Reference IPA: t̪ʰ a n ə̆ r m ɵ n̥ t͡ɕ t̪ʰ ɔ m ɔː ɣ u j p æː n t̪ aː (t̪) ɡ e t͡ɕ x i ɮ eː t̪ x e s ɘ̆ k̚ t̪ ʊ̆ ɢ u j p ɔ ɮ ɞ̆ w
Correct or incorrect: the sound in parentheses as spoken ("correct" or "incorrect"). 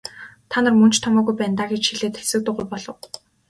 incorrect